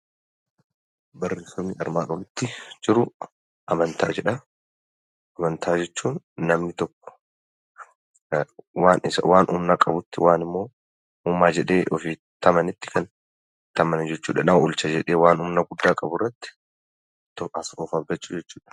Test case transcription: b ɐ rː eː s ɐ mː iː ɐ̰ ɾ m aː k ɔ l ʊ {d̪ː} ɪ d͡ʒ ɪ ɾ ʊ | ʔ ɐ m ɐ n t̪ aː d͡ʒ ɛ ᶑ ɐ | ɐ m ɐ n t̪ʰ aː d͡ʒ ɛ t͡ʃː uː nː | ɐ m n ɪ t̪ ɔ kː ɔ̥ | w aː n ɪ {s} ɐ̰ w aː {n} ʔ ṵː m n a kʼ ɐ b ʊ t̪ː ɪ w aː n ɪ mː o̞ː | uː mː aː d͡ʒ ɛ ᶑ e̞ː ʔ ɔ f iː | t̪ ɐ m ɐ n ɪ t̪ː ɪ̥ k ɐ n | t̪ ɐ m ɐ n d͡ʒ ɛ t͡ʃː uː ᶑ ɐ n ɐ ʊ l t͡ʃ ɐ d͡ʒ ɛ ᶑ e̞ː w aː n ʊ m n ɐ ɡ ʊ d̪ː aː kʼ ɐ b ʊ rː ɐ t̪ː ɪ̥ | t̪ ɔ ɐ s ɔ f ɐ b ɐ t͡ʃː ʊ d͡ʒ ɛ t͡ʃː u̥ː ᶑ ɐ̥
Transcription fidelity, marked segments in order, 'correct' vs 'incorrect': incorrect: t̪ː, correct, correct

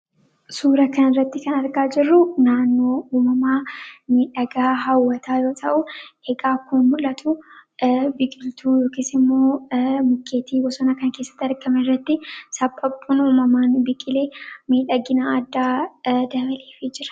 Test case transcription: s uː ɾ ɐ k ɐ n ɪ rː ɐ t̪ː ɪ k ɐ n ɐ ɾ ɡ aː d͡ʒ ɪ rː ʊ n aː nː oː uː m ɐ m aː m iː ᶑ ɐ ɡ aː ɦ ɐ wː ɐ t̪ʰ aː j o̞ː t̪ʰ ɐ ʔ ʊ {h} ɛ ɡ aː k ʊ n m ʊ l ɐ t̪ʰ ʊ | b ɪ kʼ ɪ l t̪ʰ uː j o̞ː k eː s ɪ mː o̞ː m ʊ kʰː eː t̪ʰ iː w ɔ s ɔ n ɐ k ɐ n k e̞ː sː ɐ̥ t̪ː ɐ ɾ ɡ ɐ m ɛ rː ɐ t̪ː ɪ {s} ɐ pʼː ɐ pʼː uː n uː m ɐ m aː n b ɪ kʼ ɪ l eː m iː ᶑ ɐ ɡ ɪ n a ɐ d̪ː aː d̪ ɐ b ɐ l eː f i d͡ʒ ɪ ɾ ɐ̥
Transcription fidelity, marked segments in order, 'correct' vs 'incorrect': correct, correct

